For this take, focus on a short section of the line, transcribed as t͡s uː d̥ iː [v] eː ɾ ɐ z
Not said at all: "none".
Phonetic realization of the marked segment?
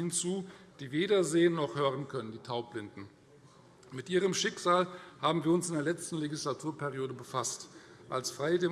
v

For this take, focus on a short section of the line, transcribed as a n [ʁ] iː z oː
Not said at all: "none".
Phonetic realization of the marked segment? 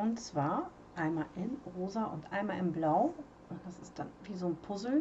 v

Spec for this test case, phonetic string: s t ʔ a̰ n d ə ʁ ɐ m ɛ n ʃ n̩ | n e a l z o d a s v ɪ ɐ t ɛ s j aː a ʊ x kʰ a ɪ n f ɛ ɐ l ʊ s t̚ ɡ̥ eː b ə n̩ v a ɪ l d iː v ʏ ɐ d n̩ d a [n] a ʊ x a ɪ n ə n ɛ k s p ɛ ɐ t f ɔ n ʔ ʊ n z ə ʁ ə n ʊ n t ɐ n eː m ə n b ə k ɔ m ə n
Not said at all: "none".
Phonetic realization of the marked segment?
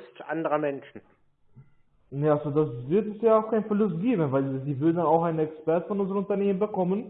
n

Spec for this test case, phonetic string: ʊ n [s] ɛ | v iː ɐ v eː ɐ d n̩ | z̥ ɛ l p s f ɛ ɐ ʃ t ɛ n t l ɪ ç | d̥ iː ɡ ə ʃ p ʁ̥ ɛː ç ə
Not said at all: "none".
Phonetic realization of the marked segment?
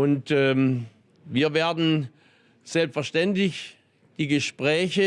t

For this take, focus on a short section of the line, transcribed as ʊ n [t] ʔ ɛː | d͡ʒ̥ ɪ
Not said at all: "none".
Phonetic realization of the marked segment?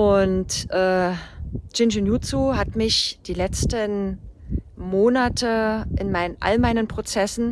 t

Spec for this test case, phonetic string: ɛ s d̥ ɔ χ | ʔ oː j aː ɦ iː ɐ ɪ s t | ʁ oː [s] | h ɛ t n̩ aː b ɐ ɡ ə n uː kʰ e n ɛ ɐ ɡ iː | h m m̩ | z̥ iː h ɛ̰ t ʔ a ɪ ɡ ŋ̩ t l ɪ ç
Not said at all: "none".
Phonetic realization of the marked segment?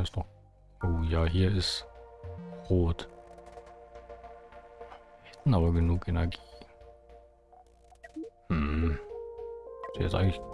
t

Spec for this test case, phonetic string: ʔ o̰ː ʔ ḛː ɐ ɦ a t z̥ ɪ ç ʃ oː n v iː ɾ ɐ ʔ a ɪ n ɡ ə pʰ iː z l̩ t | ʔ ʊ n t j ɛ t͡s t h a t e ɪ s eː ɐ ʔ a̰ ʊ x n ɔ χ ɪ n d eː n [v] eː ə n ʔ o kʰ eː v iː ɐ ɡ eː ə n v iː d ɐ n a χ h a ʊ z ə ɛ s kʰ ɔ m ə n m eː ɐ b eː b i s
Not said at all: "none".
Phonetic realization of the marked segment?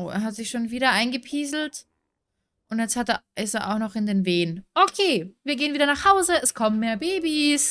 v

